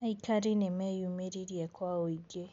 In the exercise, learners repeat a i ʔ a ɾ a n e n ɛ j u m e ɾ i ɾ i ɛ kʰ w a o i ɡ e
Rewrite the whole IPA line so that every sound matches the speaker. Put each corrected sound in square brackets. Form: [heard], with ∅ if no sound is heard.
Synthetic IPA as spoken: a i [k] a ɾ [i] n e [m] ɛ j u m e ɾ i ɾ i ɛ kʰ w a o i ɡ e